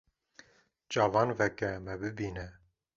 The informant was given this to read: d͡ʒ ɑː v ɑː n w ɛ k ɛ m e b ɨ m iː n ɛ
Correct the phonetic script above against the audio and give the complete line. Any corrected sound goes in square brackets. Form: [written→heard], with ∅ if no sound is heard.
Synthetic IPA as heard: d͡ʒ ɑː v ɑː n [w→v] ɛ k ɛ m [e→ɛ] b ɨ [m→b] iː n ɛ